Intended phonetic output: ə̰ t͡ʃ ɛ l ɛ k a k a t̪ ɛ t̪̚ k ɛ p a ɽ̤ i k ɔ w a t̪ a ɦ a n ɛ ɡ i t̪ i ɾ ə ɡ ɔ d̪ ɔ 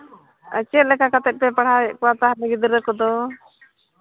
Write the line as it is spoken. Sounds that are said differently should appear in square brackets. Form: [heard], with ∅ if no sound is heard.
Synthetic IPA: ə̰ t͡ʃ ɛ l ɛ k a k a t̪ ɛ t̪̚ [p] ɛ p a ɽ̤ [a] k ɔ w a t̪ a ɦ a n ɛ ɡ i [d̪] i ɾ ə [k] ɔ d̪ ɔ